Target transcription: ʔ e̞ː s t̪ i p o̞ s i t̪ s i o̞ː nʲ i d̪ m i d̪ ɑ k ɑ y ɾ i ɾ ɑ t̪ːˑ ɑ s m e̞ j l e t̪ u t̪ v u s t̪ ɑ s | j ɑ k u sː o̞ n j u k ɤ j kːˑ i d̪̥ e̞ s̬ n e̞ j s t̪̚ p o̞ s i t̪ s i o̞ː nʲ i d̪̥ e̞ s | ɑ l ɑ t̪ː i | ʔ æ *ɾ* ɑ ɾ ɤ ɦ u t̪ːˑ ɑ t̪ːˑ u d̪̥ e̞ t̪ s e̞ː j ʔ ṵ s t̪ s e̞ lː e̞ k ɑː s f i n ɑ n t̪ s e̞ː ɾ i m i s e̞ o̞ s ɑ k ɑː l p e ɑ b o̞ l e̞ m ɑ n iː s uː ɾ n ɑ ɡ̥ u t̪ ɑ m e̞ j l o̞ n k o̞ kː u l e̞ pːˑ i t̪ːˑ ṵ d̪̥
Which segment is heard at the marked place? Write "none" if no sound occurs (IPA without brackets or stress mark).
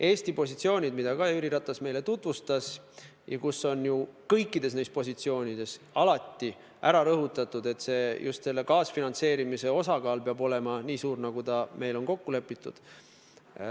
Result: ɾ